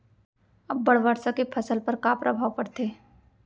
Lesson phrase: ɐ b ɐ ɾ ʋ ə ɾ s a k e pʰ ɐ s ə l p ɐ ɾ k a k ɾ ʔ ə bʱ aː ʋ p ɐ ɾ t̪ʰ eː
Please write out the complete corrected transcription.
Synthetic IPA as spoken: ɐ bː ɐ ɽ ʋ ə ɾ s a k e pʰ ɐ s ə l p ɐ ɾ k a p ɾ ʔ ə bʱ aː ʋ p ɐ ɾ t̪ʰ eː